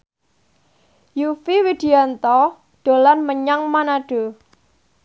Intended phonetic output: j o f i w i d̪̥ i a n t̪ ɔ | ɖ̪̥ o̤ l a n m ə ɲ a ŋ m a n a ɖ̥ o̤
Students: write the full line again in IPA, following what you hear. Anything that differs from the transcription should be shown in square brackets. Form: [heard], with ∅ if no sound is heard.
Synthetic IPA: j [u] f i w i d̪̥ i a n t̪ ɔ | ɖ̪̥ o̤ l a n m ə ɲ a ŋ m a n a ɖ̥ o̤